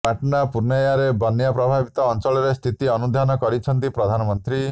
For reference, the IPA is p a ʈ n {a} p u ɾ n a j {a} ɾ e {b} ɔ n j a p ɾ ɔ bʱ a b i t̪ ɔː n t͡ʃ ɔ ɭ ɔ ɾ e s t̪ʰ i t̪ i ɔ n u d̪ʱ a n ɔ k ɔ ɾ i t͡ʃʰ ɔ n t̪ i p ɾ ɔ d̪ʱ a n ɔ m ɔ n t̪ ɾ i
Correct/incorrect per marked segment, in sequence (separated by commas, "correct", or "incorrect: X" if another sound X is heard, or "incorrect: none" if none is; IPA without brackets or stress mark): correct, correct, correct